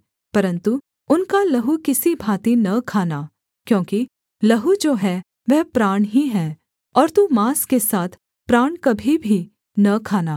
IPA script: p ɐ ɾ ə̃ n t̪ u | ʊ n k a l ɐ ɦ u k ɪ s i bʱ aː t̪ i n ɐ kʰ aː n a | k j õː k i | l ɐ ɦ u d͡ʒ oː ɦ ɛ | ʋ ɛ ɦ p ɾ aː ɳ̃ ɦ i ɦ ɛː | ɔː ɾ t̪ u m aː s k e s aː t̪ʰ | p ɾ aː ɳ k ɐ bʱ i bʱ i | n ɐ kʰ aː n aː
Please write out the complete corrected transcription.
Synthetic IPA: p ɐ ɾ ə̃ n t̪ u | ʊ n k a l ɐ ɦ u k ɪ s i bʱ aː t̪ i n ɐ kʰ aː n a | k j õː k i | l ɐ ɦ u d͡ʒ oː ɦ ɛ | ʋ ɛ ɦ p ɾ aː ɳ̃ ɦ i ɦ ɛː | ɔː ɾ t̪ u m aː s k e s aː t̪ʰ | p ɾ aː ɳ k ɐ bʱ i bʱ i | n ɐ kʰ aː n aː